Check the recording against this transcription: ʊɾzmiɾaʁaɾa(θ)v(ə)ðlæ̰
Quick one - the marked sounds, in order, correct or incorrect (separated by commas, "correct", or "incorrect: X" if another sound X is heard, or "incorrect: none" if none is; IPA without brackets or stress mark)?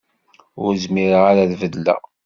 incorrect: ð, correct